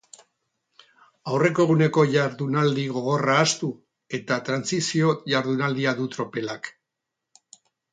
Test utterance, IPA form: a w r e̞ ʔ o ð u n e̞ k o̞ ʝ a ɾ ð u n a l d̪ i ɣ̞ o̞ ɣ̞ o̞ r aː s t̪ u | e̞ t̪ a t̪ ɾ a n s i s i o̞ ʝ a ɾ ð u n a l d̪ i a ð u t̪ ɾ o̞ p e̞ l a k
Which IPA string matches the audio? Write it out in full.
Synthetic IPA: a w r e̞ k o ɣ u n e̞ k o̞ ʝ a ɾ ð u n a l d̪ i ɣ̞ o̞ ɣ̞ o̞ r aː s t̪ u | e̞ t̪ a t̪ ɾ a n s i s i o̞ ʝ a ɾ ð u n a l d̪ i a ð u t̪ ɾ o̞ p e̞ l a k